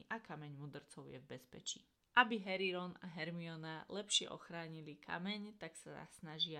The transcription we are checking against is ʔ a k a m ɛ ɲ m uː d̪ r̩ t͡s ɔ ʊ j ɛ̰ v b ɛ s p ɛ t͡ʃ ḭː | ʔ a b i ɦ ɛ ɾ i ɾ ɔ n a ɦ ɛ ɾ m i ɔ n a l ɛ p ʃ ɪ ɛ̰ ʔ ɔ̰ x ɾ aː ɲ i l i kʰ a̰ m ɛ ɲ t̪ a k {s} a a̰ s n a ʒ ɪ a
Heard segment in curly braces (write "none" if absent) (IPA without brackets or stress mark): s